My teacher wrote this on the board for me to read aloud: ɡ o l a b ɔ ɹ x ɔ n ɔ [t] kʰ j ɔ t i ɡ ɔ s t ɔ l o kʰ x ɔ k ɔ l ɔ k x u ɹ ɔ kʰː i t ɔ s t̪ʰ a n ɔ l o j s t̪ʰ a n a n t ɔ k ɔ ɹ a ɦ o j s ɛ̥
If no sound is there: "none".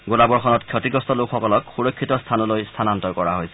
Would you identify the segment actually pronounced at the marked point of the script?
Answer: t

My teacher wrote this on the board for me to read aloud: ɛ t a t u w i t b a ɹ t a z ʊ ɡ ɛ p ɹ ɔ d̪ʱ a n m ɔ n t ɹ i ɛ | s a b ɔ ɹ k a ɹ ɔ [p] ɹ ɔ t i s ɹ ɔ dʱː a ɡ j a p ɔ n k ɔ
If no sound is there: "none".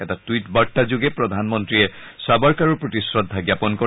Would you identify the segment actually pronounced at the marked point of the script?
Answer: p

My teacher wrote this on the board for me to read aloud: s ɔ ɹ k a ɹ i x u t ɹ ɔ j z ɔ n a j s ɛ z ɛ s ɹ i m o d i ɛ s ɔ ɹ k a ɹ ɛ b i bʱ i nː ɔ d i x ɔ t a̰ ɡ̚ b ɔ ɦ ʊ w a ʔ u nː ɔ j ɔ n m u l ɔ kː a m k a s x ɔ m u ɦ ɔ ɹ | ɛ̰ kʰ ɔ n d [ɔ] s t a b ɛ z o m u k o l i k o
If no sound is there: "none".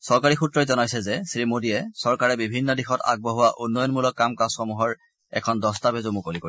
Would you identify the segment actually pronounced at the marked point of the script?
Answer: ɔ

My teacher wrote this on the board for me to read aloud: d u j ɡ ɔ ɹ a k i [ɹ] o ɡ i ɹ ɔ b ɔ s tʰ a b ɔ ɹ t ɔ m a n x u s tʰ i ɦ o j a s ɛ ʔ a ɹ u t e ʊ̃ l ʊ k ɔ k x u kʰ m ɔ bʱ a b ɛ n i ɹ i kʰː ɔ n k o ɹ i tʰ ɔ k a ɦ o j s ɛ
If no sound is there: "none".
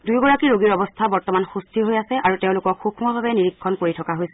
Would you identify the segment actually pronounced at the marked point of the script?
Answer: ɹ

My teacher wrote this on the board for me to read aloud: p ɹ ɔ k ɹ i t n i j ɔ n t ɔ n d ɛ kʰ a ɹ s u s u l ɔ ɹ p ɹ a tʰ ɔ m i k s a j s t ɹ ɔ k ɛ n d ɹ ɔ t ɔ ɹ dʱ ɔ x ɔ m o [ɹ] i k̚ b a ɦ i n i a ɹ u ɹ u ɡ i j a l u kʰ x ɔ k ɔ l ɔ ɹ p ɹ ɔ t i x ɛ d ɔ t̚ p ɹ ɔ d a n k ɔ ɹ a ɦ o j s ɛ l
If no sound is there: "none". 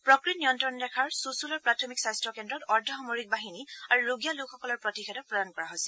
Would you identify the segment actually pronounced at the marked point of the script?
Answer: ɹ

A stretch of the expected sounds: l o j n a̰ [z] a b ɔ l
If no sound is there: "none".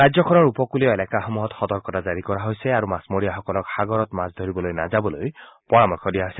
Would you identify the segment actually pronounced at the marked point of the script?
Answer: z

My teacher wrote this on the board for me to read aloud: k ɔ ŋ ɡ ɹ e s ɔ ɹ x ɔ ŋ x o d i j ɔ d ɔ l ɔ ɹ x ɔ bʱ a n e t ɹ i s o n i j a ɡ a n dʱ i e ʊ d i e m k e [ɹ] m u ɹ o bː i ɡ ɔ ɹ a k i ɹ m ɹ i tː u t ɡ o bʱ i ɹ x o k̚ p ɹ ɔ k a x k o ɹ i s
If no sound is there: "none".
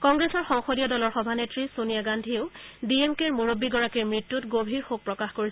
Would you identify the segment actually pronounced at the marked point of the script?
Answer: ɹ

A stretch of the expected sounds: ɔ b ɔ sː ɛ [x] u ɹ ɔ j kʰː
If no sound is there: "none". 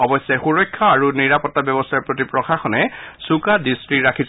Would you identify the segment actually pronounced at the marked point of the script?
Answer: x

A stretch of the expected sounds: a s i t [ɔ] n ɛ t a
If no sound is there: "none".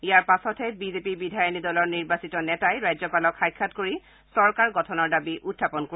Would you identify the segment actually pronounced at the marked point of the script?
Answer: ɔ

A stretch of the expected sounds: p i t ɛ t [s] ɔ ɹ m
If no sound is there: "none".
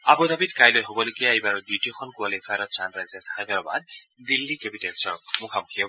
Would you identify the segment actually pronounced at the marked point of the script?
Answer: s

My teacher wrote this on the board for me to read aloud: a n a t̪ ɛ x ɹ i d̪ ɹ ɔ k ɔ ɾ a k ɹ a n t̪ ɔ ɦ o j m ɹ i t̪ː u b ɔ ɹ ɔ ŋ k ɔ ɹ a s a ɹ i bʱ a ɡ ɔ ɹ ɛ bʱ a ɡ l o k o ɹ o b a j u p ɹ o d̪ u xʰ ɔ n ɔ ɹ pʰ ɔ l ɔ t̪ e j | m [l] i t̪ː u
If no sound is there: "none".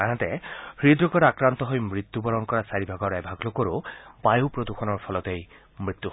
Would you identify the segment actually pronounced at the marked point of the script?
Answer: ɹ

